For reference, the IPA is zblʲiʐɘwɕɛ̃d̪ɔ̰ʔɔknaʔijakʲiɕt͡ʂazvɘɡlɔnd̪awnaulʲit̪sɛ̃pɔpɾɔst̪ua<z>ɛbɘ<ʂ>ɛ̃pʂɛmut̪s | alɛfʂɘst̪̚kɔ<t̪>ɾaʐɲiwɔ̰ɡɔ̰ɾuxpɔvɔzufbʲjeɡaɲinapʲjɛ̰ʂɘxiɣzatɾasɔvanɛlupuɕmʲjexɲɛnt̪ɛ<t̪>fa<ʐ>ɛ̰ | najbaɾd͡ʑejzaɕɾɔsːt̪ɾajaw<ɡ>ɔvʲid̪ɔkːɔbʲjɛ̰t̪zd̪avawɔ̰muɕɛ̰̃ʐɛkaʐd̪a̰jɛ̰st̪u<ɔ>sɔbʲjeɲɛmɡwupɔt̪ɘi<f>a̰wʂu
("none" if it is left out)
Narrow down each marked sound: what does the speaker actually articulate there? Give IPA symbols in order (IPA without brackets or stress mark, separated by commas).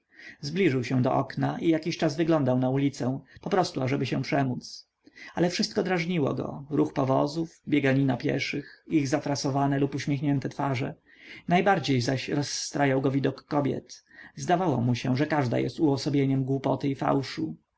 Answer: ʐ, ɕ, d̪, t̪, ʐ, ɡ, ɔ, f